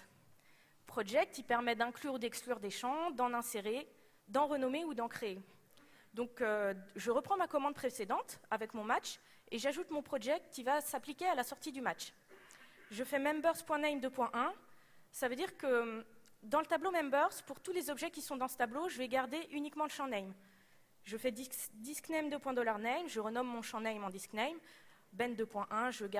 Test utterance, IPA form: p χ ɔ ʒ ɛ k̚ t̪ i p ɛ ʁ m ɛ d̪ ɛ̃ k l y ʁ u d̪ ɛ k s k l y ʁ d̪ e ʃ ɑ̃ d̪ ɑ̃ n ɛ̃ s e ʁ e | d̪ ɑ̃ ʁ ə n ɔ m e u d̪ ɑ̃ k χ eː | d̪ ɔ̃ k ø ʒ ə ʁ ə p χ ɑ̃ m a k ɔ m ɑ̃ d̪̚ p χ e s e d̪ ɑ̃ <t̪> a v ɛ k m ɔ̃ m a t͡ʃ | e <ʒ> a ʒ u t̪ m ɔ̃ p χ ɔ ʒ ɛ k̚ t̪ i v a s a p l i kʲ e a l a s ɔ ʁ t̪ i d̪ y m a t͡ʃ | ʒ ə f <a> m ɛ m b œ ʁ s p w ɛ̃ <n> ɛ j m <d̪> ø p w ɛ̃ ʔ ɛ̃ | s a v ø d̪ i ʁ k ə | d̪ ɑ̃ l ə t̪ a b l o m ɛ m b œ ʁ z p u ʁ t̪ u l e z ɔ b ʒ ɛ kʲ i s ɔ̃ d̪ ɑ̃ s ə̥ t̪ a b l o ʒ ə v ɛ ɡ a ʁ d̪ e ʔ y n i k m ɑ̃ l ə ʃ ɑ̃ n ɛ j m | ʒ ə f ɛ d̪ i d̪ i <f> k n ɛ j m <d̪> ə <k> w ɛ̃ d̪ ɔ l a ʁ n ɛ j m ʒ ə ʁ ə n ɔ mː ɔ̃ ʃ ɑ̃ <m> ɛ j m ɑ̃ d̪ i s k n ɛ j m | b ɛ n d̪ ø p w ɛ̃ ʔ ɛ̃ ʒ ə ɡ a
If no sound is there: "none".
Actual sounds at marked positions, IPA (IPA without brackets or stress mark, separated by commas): t̪, ʒ, ɛ, n, d̪, s, d̪, p, n